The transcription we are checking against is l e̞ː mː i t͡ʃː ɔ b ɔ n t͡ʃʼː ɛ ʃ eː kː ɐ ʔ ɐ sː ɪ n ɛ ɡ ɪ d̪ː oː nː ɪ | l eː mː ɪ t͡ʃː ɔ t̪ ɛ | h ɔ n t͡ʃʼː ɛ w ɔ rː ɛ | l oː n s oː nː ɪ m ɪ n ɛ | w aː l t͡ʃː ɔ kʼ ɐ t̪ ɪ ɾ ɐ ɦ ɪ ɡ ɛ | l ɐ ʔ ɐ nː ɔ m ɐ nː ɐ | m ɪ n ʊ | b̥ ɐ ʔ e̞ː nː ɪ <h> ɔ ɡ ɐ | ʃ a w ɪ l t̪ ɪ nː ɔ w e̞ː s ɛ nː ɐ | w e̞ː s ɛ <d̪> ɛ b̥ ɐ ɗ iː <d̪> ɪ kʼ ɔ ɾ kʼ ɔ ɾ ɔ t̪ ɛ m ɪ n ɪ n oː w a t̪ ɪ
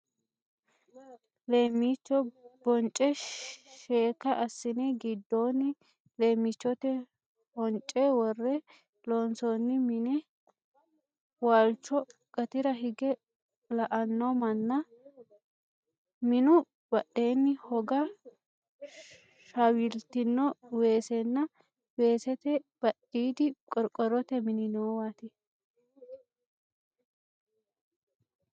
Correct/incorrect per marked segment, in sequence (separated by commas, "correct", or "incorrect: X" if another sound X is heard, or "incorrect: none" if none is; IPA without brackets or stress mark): correct, incorrect: t̪, correct